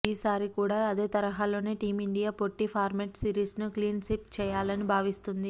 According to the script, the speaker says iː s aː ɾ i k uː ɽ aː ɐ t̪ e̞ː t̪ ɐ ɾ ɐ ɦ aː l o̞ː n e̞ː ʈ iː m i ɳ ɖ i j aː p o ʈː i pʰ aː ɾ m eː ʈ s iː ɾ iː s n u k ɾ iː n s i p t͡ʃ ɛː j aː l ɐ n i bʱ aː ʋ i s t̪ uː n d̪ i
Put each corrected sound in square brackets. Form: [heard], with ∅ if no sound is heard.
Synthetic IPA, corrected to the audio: iː s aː ɾ i k uː ɽ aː ɐ [d̪] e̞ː t̪ ɐ ɾ ɐ ɦ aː l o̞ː n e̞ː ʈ iː m i ɳ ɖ i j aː p o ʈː i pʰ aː ɾ m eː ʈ s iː ɾ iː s n u k [l] iː n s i p t͡ʃ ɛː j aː l ɐ n i bʱ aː ʋ i s t̪ [u] n d̪ i